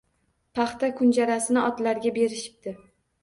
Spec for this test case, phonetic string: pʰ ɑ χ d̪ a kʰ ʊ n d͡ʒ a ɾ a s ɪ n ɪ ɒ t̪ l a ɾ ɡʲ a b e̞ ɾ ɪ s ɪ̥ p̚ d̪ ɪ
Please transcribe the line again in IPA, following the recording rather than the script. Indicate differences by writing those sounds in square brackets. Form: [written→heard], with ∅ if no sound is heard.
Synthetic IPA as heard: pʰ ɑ χ [d̪→t̪] a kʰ ʊ n d͡ʒ a ɾ a s ɪ n ɪ ɒ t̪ l a ɾ ɡʲ a b e̞ ɾ ɪ [s→ʃ] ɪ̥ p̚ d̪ ɪ